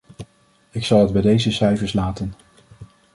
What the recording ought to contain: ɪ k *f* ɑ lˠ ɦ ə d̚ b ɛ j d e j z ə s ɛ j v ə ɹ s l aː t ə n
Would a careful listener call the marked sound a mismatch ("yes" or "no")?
yes